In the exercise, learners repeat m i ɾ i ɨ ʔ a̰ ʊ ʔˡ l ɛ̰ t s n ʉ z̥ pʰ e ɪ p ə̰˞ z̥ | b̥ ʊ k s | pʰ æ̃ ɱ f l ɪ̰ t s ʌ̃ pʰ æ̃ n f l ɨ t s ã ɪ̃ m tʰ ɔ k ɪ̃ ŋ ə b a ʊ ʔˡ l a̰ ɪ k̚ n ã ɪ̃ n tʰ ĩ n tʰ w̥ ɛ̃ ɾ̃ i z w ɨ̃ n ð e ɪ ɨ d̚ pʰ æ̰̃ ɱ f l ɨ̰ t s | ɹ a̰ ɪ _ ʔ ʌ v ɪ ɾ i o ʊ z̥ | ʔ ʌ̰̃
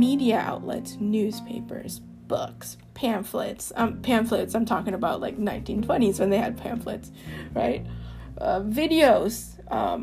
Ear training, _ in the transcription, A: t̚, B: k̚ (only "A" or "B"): A